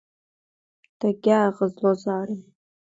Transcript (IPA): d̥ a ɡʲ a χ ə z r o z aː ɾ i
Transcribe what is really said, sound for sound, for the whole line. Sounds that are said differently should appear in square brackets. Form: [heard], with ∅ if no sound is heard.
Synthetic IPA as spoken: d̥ a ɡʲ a [ʁ] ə z [l] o z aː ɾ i